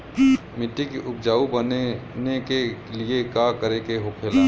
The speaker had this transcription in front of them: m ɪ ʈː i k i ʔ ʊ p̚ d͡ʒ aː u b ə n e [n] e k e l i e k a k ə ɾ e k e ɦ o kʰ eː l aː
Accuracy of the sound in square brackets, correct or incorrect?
correct